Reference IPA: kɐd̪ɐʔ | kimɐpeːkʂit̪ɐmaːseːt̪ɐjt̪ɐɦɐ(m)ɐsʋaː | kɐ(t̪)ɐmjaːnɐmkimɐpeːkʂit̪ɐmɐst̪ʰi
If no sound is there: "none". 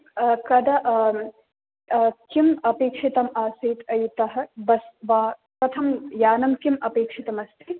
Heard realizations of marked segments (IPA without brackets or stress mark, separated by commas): b, t̪ʰ